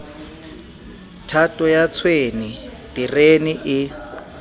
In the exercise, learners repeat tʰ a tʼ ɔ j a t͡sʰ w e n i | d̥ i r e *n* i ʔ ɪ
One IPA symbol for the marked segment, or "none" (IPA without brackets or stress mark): n